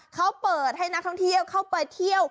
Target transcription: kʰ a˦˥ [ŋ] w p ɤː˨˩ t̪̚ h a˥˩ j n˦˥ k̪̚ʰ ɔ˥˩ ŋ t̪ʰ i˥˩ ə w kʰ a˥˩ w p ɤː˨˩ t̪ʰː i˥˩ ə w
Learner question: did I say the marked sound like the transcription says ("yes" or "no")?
no